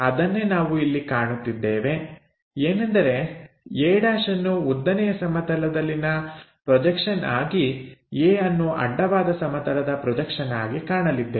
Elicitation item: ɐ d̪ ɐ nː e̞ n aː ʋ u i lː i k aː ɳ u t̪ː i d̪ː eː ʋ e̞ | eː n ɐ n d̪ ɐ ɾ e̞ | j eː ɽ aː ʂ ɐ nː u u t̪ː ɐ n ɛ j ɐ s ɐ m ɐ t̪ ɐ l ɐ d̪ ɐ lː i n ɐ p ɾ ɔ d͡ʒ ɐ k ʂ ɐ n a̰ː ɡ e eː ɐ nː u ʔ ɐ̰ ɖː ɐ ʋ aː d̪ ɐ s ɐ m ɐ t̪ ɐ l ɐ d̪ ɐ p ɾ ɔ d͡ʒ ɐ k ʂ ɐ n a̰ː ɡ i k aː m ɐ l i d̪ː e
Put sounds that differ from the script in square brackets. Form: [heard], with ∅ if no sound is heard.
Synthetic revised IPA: ɐ d̪ ɐ nː e̞ n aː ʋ u i lː i k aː ɳ u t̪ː i d̪ː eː ʋ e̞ | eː n ɐ n d̪ ɐ ɾ e̞ | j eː ɽ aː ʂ ɐ nː u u [d̪ː] ɐ n ɛ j ɐ s ɐ m ɐ t̪ ɐ l ɐ d̪ ɐ lː i n ɐ p ɾ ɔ d͡ʒ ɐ k ʂ ɐ n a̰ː ɡ [i] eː ɐ nː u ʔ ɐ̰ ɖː ɐ ʋ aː d̪ ɐ s ɐ m ɐ t̪ ɐ l ɐ d̪ ɐ p ɾ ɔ d͡ʒ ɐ k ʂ ɐ n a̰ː ɡ i k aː [ɳ] ɐ l i d̪ː e